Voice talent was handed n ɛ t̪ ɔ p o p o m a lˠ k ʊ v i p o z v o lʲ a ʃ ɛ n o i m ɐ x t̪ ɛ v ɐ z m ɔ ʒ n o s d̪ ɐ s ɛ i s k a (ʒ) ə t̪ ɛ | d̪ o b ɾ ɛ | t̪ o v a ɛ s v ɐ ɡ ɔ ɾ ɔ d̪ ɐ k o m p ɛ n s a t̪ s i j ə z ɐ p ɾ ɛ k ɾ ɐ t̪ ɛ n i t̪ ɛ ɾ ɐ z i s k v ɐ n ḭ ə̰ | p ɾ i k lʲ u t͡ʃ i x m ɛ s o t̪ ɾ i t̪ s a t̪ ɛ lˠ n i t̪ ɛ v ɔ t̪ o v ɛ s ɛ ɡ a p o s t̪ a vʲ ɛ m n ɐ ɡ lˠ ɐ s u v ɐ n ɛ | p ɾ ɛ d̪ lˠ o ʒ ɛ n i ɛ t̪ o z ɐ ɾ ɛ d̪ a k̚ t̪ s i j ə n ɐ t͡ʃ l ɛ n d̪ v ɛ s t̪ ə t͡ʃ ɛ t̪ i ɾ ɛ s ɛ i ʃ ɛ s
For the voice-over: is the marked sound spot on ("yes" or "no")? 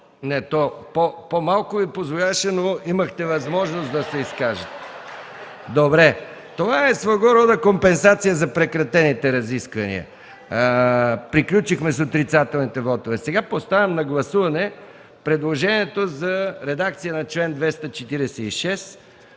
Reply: yes